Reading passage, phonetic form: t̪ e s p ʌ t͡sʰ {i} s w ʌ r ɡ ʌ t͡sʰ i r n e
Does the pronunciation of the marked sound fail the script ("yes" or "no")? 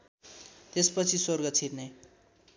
no